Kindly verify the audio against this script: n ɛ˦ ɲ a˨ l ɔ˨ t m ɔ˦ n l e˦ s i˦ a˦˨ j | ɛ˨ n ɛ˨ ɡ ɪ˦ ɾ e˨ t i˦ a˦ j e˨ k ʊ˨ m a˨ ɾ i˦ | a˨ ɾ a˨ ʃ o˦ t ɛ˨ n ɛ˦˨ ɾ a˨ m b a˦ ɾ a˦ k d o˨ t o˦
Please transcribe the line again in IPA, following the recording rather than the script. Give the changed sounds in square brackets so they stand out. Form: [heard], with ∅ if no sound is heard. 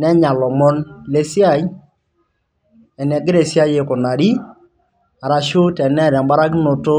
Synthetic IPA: n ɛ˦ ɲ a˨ l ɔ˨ [∅] m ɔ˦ n l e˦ s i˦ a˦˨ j | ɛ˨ n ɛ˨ ɡ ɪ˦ ɾ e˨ [s] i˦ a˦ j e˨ k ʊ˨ [n] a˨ ɾ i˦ | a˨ ɾ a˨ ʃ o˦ t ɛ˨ n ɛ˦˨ ɾ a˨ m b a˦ ɾ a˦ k [n] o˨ t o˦